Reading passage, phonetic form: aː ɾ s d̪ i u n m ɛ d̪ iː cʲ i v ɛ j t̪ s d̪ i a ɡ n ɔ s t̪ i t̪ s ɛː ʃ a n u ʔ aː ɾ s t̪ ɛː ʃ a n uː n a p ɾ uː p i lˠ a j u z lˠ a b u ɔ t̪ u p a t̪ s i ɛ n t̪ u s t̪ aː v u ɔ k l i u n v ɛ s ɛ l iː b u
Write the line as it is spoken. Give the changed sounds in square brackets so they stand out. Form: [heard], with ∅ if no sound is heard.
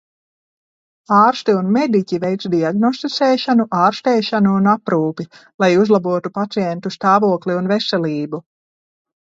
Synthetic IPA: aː ɾ s [t̪] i u n m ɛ d̪ [i] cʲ i v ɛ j t̪ s d̪ i a ɡ n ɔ s t̪ i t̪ s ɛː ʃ a n u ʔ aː ɾ s t̪ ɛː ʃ a n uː n a p ɾ uː p i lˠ a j u z lˠ a b u ɔ t̪ u p a t̪ s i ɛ n t̪ u s t̪ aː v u ɔ k l i u n v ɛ s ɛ l iː b u